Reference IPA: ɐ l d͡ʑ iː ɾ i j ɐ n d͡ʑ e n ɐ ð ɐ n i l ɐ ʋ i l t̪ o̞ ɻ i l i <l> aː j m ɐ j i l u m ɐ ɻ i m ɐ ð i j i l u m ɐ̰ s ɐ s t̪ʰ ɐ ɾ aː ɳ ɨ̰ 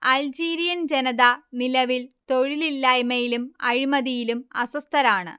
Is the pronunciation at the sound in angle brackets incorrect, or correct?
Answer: incorrect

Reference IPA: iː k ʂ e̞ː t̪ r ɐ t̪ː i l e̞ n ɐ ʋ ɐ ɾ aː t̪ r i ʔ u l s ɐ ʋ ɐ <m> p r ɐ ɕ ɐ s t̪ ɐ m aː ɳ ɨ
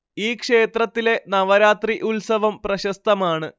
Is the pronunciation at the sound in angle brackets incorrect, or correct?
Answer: correct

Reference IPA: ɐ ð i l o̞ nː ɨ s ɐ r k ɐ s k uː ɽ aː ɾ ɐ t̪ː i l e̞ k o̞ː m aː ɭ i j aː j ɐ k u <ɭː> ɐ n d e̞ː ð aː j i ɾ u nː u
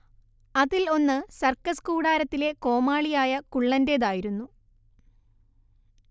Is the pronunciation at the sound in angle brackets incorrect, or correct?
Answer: correct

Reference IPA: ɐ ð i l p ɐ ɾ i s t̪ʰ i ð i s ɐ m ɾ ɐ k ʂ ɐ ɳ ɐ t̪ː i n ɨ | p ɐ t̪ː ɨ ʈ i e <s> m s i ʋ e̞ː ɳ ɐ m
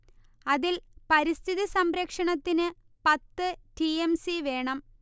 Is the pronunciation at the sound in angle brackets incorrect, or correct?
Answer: incorrect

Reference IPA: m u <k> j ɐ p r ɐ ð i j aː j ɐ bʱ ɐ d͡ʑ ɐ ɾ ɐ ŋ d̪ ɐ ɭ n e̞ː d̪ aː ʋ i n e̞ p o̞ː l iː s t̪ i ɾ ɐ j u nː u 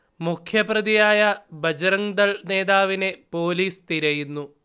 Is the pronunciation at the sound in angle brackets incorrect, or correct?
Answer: incorrect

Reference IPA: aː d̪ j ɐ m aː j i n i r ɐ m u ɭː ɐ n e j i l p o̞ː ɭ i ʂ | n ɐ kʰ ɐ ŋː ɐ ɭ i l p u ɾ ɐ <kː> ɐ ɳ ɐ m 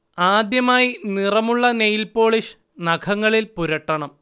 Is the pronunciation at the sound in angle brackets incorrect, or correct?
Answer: incorrect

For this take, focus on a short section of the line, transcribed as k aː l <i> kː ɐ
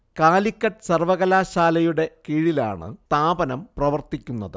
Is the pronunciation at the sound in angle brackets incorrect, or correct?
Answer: correct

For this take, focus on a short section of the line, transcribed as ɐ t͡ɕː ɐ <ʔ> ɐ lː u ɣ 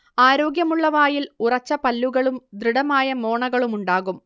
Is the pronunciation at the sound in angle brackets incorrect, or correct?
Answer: incorrect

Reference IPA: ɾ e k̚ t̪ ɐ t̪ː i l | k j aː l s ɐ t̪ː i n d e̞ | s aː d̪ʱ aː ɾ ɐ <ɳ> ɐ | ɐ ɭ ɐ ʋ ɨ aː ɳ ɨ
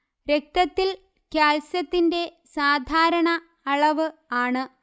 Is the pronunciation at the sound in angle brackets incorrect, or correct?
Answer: correct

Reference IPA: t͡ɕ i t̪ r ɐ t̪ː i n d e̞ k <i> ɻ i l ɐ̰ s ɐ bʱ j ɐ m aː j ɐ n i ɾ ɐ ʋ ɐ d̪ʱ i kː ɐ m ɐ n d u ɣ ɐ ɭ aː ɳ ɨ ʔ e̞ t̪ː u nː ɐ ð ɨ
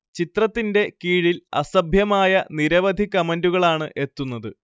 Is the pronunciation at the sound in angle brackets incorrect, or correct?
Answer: incorrect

